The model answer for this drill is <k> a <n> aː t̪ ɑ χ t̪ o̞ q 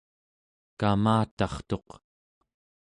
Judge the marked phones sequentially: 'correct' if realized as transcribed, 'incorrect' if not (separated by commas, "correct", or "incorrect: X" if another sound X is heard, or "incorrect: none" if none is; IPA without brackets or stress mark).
correct, incorrect: m